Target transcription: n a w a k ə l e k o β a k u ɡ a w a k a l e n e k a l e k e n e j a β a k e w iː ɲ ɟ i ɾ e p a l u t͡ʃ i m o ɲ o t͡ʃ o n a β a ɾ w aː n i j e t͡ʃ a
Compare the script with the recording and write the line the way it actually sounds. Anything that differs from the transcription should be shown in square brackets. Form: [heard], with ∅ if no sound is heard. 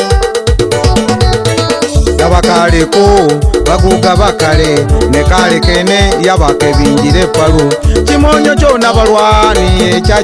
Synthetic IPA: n a [β] a k [a] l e k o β a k u ɡ a [β] a k a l e n e k a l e k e n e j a β a k e [β] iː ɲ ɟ i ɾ e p a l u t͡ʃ i m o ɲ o t͡ʃ o n a β a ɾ w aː n i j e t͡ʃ a

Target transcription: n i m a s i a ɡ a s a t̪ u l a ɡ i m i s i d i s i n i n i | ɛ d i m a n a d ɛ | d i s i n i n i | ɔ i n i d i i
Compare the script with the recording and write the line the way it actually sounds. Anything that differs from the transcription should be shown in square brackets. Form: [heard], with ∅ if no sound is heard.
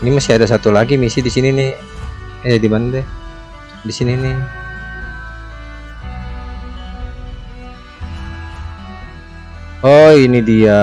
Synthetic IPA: n i m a s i a [d] a s a t̪ u l a ɡ i m i s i d i s i n i n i | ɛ d i m a n a d ɛ | d i s i n i n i | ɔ i n i d i [a]

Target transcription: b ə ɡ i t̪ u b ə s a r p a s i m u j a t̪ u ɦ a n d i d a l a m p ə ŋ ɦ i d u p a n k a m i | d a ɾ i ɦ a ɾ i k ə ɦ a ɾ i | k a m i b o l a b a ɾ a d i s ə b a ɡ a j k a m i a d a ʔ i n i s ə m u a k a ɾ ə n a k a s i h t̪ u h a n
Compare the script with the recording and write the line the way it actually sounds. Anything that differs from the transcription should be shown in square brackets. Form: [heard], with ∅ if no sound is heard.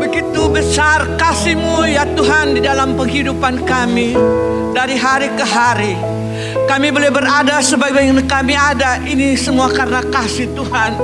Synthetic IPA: b ə ɡ i t̪ u b ə s a r [k] a s i m u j a t̪ u ɦ a n d i d a l a m p ə ŋ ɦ i d u p a n k a m i | d a ɾ i ɦ a ɾ i k ə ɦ a ɾ i | k a m i b o l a b [ə] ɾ a d [a] s ə b a ɡ a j k a m i a d a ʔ i n i s ə m u a k a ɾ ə n a k a s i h t̪ u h a n

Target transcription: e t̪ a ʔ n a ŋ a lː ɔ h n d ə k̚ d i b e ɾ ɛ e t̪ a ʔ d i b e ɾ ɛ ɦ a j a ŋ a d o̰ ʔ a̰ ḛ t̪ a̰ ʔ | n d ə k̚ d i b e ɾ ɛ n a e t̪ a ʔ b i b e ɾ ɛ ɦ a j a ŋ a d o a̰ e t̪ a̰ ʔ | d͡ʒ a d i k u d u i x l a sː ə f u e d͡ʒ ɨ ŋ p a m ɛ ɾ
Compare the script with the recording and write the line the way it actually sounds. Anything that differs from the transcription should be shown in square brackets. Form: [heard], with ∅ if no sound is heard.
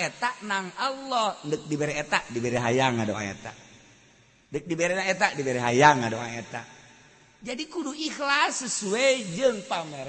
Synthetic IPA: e t̪ a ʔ n a ŋ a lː ɔ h n d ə k̚ d i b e ɾ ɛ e t̪ a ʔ d i b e ɾ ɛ ɦ a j a ŋ a d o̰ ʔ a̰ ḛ t̪ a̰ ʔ | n d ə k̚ d i b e ɾ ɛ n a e t̪ a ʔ [d] i b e ɾ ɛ ɦ a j a ŋ a d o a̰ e t̪ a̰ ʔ | d͡ʒ a d i k u d u i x l a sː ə [s] u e d͡ʒ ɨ ŋ p a m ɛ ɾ

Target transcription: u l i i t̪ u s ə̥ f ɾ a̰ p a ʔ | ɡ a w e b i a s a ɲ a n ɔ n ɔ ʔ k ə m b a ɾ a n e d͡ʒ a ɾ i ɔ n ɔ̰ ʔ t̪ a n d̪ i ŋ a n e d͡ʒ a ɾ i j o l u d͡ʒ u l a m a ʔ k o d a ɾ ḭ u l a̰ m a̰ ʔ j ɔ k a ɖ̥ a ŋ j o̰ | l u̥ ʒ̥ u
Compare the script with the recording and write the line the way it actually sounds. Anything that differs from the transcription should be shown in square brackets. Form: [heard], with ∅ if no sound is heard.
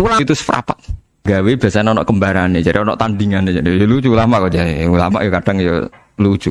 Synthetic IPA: u l [a] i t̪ u s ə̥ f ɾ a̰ p a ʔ | ɡ a w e b i a s a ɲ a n ɔ n ɔ ʔ k ə m b a ɾ a n e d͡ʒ a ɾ i ɔ n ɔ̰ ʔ t̪ a n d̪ i ŋ a n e d͡ʒ a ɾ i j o l u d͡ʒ u l a m a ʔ k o [d͡ʒ] a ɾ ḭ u l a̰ m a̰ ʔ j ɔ k a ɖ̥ a ŋ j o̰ | l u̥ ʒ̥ u

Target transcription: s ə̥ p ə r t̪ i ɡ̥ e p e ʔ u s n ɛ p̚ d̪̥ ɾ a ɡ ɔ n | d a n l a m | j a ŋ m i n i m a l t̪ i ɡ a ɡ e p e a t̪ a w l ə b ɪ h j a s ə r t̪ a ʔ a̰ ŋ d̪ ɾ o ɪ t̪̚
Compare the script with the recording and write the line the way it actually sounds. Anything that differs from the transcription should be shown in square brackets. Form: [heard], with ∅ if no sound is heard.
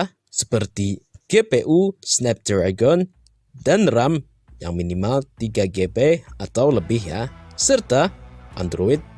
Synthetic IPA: s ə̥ p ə r t̪ i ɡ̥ e p e ʔ u s n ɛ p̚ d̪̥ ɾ a ɡ ɔ n | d a n [r] a m | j a ŋ m i n i m a l t̪ i ɡ a ɡ e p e a t̪ a w l ə b ɪ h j a s ə r t̪ a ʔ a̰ [n] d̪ ɾ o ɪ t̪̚

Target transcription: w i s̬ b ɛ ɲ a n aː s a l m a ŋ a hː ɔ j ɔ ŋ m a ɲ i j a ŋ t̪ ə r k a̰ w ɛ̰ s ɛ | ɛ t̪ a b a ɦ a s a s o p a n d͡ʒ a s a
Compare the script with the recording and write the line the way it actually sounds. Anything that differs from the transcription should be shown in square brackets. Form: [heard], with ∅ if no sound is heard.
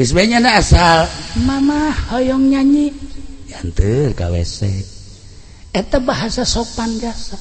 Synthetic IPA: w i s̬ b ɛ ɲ a n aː s a l m a [m] a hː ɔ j ɔ ŋ [ɲ] a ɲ i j a [n] t̪ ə r k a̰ w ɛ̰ s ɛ | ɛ t̪ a b a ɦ a s a s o p a n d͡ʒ a s a

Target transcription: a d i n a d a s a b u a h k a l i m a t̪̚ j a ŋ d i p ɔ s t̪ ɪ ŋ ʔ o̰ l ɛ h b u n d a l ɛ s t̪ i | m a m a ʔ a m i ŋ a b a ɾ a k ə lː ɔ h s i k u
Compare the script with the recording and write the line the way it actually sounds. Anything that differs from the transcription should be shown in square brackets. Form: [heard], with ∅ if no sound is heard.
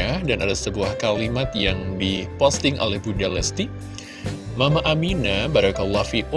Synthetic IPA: a d [a] n a d a s [ə] b u a h k a l i m a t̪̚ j a ŋ d i p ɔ s t̪ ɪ ŋ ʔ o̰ l ɛ h b u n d a l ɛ s t̪ i | m a m a ʔ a m i [n] a b a ɾ a k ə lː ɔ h [f] i k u

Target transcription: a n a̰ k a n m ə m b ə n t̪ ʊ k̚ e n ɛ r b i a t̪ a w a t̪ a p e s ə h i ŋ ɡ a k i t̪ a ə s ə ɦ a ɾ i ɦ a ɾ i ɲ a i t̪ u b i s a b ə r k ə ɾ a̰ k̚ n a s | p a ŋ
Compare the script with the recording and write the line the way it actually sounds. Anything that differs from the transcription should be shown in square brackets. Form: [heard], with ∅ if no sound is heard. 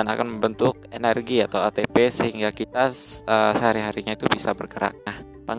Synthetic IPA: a n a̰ k a n m ə m b ə n t̪ ʊ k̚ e n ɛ r [ɡ] i a t̪ a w a t̪ [e] p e s ə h i ŋ ɡ a k i t̪ a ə s ə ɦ a ɾ i ɦ a ɾ i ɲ a i t̪ u b i s a b ə r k ə ɾ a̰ k̚ n a [h] | p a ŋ

